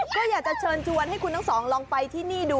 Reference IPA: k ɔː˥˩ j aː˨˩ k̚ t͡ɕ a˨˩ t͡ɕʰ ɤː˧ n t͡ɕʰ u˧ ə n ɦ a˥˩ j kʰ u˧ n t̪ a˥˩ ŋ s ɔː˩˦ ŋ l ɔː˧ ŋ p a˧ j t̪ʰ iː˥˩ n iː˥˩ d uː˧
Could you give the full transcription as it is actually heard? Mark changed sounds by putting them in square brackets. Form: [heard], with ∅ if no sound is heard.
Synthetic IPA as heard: k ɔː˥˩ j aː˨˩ k̚ t͡ɕ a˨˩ t͡ɕʰ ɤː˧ n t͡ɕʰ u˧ ə n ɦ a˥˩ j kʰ u˧ n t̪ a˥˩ ŋ s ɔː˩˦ ŋ l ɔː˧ ŋ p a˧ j t̪ʰ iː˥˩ n iː˥˩ d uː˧